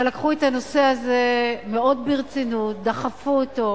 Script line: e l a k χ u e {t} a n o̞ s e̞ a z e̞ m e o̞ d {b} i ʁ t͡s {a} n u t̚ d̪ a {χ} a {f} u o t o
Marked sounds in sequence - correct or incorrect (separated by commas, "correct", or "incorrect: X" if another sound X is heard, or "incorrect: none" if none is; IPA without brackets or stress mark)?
correct, correct, incorrect: i, correct, correct